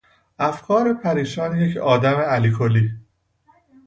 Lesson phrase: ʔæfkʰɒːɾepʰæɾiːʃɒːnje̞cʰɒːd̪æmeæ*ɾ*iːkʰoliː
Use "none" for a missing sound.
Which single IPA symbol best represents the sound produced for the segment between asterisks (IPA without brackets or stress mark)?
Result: l